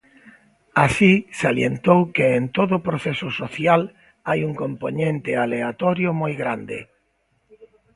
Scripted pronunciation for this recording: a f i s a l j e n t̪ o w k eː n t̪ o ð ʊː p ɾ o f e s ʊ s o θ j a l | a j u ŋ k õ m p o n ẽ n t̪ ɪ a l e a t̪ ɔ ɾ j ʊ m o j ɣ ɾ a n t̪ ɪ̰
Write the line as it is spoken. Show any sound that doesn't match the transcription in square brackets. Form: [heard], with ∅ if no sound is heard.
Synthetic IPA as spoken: a [s] i s a l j e n t̪ o w k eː n t̪ o ð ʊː p ɾ o [θ] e s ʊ s o θ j a l | a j u ŋ k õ m p o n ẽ n t̪ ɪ a l e a t̪ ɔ ɾ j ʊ m o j ɣ ɾ a n [d̪] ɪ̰